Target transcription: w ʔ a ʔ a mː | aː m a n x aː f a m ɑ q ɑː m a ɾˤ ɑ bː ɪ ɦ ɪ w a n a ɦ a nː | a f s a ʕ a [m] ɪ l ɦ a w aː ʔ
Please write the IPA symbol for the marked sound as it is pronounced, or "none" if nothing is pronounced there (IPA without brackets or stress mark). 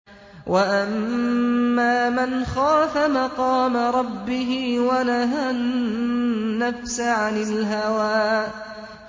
n